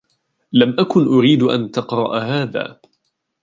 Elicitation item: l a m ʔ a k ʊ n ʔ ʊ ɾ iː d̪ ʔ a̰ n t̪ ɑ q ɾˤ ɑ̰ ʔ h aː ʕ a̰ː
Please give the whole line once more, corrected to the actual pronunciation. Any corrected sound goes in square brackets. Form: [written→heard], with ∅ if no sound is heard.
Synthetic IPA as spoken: l a m ʔ a k ʊ n ʔ ʊ ɾ iː d̪ ʔ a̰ n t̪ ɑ q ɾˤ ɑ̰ ʔ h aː [ʕ→ð] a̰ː